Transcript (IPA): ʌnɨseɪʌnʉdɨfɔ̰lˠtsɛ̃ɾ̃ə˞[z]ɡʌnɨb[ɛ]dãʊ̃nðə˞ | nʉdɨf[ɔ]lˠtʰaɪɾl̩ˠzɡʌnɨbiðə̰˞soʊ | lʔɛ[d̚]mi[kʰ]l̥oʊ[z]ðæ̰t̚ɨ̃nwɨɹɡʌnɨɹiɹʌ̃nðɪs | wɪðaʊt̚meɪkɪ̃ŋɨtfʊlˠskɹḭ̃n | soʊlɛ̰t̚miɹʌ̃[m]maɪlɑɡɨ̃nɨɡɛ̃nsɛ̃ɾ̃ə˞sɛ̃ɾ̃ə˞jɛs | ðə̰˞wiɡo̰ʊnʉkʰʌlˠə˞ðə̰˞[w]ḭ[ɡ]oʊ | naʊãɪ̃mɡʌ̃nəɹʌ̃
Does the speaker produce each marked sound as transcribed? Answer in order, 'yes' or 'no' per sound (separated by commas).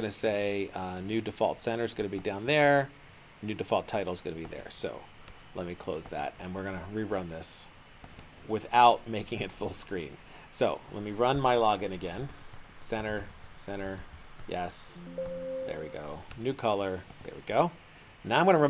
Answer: yes, no, yes, no, yes, yes, no, yes, yes